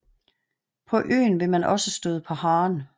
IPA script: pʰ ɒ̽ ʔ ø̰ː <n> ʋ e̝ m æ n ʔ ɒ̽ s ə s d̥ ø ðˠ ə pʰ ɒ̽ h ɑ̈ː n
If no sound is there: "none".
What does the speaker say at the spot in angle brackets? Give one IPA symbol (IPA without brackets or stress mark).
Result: n